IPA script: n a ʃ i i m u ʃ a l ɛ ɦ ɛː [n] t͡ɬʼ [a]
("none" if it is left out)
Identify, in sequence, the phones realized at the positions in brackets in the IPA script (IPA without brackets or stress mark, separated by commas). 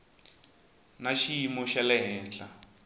n, a